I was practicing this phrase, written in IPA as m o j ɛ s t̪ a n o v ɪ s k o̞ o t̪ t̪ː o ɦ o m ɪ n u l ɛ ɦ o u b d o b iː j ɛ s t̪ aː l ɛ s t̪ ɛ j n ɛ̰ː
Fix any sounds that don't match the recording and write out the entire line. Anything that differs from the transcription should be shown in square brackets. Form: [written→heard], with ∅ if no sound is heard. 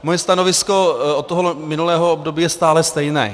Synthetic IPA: m o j ɛ s t̪ a n o v ɪ s k o̞ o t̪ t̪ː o ɦ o m ɪ n u l [ɛ→ɛː] ɦ o [u→o] b d o b iː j ɛ s t̪ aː l ɛ s t̪ ɛ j n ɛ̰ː